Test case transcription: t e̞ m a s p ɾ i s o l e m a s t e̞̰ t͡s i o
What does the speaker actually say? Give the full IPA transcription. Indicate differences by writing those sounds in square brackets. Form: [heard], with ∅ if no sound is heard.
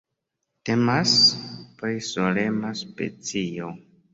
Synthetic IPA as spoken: t e̞ m a s p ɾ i s o l e m a s [p] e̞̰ t͡s i o